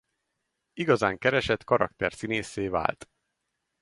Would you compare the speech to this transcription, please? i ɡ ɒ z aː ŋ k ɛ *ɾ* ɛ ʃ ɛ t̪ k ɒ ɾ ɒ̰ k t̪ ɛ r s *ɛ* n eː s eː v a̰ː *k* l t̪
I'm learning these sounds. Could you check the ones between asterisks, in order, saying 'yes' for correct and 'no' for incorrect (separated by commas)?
yes, no, no